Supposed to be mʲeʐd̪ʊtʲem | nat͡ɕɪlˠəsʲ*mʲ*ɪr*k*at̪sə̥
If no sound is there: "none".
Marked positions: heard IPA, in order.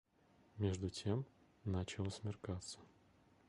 mʲ, k

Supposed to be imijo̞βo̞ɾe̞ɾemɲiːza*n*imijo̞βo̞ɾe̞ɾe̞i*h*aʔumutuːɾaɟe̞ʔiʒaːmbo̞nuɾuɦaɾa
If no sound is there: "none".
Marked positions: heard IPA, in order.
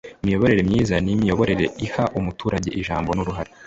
n, h

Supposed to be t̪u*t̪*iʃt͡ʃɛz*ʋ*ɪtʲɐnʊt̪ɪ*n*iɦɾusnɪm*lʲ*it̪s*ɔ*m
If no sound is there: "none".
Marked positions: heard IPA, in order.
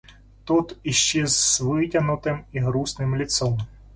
t̪, ʋ, m, lʲ, ɔ

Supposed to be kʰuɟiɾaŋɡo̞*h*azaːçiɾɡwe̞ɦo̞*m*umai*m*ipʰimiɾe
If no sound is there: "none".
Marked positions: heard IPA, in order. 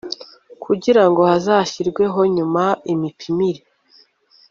h, ɲ, m

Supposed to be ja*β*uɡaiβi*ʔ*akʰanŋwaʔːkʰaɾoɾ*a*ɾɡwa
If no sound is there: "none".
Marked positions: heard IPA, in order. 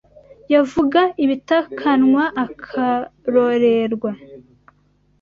v, t, e

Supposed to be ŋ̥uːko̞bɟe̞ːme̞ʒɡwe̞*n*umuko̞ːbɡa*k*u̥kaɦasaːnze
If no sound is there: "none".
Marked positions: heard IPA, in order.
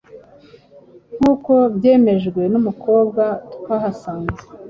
n, t

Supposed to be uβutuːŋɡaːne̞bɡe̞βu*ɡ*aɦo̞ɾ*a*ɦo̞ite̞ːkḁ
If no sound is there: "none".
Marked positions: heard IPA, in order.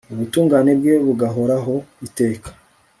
ɡ, a

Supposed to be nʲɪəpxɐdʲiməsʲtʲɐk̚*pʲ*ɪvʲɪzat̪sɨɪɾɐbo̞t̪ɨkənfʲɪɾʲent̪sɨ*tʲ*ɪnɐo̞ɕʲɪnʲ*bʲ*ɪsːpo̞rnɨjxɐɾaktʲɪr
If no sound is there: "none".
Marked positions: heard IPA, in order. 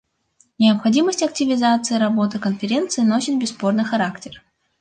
tʲ, none, bʲ

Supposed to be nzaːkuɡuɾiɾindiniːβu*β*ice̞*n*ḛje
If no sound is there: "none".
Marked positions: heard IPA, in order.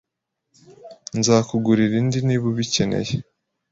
β, n

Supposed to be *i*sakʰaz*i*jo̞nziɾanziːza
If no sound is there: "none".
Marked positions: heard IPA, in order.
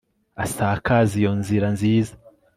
a, i

